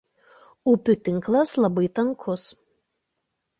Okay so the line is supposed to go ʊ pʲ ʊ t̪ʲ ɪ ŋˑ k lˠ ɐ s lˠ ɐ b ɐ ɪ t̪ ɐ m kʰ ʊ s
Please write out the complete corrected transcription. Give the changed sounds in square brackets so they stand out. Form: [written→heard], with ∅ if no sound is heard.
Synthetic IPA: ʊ pʲ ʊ t̪ʲ ɪ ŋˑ k lˠ ɐ s lˠ ɐ b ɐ ɪ t̪ ɐ [m→ŋ] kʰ ʊ s